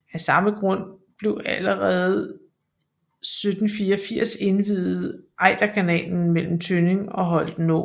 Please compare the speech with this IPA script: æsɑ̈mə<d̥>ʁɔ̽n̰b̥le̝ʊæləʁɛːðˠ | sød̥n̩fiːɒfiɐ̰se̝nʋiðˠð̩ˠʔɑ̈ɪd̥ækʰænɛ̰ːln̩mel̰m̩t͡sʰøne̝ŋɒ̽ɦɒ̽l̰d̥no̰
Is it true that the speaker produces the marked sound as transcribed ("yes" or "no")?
no